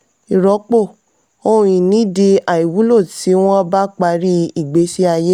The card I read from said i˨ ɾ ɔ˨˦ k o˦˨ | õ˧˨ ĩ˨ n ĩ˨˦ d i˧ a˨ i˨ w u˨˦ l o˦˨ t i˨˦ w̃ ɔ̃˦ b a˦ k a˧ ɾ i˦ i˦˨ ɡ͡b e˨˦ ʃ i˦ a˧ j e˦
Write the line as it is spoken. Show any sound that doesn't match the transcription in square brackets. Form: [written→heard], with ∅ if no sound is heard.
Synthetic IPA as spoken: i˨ ɾ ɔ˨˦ [k→k͡p] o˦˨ | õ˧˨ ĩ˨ n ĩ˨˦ d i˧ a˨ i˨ w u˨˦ l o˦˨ t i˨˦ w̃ ɔ̃˦ b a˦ [k→k͡p] a˧ ɾ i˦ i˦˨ ɡ͡b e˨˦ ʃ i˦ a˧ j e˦